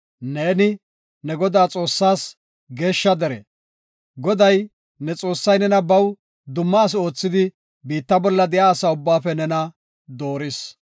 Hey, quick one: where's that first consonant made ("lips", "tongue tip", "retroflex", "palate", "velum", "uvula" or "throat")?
tongue tip